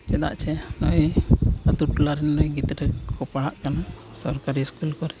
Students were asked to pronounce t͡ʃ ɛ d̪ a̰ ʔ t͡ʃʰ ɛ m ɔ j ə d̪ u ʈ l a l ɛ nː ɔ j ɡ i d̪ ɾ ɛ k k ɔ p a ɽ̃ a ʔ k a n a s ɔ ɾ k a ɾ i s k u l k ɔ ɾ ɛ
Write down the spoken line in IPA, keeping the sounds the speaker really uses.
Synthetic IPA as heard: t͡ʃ ɛ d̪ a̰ ʔ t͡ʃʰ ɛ n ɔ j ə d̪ u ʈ l a ɾ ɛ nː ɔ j ɡ i t̪ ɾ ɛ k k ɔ p a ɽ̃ a ʔ k a n a s ɔ ɾ k a ɾ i s k u l k ɔ ɾ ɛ